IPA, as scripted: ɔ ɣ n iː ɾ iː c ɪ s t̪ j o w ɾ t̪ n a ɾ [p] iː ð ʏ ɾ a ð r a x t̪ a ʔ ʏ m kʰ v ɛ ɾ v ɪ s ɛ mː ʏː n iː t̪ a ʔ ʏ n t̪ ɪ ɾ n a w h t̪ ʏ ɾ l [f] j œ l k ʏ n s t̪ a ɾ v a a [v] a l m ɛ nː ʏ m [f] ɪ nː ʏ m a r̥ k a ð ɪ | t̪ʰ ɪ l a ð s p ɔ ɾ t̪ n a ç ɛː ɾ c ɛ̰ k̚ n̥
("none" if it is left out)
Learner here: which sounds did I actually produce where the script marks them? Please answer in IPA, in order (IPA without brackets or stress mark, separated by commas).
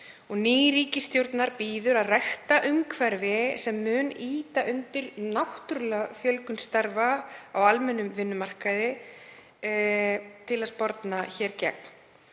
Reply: p, f, w, v